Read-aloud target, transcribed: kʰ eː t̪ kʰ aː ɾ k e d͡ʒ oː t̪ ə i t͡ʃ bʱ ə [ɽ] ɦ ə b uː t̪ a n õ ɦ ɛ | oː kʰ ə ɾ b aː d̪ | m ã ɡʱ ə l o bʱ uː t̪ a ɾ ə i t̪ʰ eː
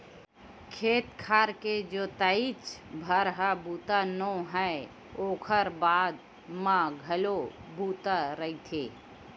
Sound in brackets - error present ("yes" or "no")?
yes